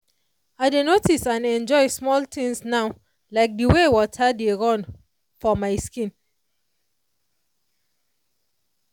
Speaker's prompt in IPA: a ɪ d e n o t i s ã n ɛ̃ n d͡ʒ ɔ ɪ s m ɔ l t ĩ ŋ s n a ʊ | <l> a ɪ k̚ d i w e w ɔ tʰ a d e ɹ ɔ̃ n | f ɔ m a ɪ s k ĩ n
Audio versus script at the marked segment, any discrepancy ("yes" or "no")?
no